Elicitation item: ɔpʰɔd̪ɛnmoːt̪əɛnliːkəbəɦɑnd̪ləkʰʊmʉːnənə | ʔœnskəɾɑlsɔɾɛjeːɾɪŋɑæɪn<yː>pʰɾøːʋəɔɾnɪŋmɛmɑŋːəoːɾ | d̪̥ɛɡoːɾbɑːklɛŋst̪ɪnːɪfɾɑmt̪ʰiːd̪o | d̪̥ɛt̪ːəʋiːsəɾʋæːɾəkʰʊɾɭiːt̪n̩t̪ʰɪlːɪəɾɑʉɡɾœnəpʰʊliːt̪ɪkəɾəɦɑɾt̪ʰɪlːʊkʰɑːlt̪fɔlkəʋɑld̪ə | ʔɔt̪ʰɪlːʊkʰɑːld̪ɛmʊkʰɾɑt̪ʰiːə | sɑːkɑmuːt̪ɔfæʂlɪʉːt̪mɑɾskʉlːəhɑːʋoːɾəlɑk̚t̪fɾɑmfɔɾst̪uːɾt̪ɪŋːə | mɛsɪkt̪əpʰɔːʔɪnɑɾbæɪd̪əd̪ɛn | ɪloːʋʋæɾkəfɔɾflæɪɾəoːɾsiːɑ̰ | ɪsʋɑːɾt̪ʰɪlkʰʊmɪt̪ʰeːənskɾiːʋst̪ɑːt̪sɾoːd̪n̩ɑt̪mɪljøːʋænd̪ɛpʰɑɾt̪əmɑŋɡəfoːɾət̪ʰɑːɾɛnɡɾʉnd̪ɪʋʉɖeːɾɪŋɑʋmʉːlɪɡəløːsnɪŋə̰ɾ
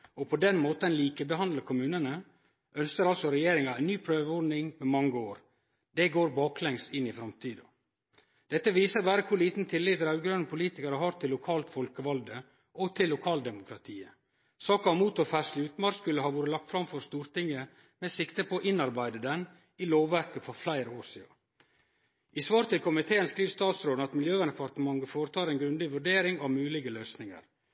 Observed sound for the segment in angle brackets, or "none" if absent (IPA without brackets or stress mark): yː